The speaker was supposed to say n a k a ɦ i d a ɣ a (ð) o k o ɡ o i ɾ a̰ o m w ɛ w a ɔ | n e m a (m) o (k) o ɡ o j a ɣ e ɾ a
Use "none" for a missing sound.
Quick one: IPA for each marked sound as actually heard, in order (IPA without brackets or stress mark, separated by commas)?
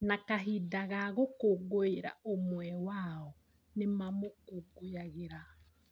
ɣ, m, k